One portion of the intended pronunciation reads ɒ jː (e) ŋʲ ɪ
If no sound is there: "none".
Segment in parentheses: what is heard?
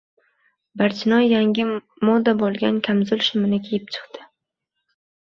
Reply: a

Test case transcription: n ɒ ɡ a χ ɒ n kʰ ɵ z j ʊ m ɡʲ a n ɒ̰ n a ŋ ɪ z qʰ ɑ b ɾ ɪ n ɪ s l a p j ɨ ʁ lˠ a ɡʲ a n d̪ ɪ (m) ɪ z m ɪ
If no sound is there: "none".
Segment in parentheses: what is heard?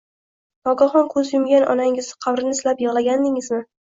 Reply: ŋ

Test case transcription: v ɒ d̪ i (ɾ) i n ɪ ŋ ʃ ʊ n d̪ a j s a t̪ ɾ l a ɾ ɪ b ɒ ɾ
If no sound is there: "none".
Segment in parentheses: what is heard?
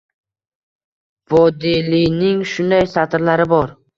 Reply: l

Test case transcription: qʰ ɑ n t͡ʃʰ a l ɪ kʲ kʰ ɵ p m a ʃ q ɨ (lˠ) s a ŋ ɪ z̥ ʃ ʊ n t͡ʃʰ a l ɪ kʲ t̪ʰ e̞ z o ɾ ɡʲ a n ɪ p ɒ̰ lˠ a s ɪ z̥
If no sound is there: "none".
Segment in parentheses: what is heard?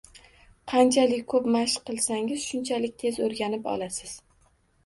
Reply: lˠ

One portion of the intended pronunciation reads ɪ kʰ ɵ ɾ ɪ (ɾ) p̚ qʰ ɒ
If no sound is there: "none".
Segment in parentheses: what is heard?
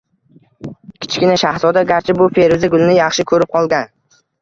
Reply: none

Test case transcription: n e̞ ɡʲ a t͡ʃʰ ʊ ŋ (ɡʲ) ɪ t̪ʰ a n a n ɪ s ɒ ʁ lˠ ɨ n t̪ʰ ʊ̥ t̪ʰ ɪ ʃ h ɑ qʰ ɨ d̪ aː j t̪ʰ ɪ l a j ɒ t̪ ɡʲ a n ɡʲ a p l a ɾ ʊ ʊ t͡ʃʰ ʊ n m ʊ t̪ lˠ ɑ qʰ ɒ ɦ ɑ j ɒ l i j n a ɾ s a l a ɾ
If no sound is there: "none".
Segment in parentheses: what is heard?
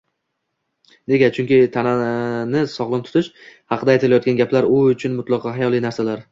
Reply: kʲ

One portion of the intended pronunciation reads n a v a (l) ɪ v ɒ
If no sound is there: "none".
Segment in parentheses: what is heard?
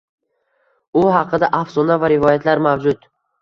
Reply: ɾ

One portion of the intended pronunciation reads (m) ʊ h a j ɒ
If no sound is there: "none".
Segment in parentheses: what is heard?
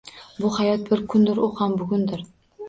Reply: b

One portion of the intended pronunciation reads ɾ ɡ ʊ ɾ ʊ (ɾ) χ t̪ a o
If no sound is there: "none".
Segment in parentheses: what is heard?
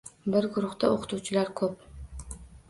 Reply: none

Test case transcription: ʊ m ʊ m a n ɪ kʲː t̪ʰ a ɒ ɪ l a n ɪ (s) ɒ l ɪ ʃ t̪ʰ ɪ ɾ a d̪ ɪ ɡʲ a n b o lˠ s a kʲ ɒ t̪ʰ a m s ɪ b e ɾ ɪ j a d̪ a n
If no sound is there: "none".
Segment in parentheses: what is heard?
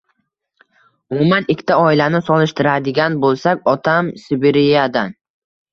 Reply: s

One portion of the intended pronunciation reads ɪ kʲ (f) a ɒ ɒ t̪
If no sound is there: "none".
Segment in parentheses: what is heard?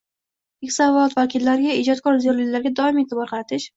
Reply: s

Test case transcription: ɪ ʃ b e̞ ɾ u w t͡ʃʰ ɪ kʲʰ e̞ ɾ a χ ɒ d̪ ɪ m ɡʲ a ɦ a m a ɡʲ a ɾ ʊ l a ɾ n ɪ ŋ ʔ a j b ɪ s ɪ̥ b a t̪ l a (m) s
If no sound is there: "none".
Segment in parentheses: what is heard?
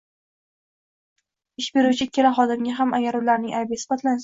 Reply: n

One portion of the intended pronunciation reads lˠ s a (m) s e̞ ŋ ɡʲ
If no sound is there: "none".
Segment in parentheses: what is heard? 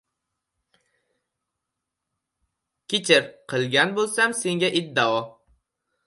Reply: m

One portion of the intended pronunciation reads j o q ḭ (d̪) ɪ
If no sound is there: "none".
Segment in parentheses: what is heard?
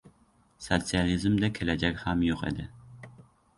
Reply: d̪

